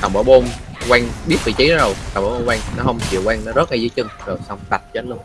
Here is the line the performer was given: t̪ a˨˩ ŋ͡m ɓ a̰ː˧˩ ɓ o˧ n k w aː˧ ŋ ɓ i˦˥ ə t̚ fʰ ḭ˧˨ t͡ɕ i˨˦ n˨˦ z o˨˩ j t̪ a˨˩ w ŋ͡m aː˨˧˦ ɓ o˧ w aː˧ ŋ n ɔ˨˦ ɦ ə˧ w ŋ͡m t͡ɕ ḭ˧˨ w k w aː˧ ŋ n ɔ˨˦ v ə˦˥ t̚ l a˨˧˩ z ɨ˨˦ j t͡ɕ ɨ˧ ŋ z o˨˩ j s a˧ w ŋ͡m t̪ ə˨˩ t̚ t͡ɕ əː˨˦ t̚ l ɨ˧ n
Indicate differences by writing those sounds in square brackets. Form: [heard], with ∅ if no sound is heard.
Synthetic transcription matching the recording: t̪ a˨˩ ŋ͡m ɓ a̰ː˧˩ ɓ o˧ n k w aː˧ ŋ ɓ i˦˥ ə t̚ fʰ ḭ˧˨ t͡ɕ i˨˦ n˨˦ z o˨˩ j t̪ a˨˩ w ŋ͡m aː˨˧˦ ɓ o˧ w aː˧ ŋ n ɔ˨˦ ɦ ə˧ w ŋ͡m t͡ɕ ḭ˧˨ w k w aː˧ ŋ n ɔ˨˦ [z] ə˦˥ t̚ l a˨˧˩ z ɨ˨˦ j t͡ɕ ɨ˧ ŋ z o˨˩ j s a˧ w ŋ͡m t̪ [a˨˩] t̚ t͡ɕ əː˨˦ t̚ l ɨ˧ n